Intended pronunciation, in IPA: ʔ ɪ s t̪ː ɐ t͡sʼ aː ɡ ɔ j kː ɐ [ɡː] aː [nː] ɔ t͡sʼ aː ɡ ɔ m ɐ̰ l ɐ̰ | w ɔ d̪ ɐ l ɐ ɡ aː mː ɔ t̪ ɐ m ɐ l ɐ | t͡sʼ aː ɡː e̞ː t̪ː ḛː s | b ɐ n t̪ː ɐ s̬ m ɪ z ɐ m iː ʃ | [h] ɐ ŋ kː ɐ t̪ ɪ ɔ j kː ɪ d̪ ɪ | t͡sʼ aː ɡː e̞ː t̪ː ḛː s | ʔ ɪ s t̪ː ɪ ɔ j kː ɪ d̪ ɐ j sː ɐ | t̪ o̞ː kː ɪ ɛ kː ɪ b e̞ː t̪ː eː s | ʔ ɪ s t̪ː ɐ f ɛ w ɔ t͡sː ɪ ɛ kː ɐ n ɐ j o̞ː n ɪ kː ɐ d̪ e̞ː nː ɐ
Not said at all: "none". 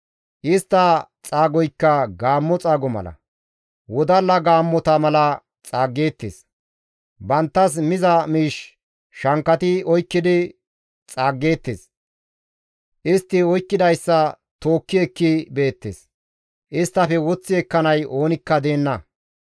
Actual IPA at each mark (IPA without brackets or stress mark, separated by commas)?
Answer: ɡ, mː, ʃ